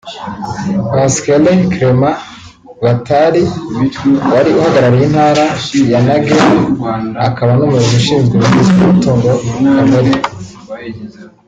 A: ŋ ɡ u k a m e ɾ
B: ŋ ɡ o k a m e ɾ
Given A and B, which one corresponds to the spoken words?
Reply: B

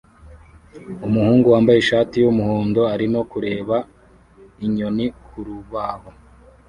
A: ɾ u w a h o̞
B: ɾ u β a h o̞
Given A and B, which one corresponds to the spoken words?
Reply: B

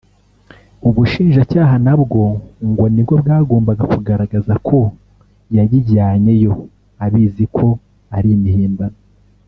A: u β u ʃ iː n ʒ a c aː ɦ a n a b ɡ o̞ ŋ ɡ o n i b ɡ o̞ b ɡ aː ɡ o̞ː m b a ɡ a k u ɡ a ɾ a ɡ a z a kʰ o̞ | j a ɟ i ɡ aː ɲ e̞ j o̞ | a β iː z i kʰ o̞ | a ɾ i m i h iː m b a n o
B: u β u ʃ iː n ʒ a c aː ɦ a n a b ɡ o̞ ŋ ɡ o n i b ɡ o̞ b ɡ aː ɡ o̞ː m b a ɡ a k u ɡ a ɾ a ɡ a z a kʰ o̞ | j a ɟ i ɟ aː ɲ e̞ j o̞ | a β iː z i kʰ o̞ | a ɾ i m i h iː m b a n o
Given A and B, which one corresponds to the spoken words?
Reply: B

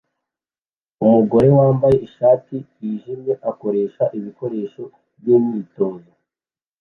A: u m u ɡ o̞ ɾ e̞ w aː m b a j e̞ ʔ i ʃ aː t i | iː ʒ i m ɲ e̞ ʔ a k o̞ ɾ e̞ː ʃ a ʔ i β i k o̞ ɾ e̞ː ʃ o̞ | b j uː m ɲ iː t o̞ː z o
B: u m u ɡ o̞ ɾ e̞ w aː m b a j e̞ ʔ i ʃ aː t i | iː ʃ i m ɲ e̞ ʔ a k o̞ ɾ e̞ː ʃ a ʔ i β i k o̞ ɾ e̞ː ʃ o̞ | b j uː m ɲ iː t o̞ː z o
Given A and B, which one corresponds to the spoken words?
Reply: A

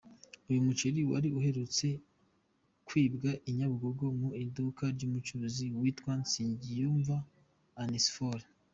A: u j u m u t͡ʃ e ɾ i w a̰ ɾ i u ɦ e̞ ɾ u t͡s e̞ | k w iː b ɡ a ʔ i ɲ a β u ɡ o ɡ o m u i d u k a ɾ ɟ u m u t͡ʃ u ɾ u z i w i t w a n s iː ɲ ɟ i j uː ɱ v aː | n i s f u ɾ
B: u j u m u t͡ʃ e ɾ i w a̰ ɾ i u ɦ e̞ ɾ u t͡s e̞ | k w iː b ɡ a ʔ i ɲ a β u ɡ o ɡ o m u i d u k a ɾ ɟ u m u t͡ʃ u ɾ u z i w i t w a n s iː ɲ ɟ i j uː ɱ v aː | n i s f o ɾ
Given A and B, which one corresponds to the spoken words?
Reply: B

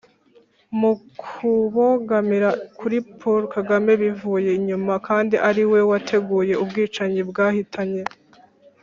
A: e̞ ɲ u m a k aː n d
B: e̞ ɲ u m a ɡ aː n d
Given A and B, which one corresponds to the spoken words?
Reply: A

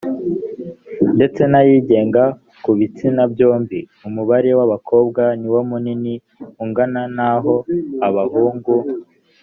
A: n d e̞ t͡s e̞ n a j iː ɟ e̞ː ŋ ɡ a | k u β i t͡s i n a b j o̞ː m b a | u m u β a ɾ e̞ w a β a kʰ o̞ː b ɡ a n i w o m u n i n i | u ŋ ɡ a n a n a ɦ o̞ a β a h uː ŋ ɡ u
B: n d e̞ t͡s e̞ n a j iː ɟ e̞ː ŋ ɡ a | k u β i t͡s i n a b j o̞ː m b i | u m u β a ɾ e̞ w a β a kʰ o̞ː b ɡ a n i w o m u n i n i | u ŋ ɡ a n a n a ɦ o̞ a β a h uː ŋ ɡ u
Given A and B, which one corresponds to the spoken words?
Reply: B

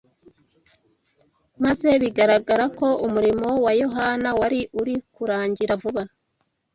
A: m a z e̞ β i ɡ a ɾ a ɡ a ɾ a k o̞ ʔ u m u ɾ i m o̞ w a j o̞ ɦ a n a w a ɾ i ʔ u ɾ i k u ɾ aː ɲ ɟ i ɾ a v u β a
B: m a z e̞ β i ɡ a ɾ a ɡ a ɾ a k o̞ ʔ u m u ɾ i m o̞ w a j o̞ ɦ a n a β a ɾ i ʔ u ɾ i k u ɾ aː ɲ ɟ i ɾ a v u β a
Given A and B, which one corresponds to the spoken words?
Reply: A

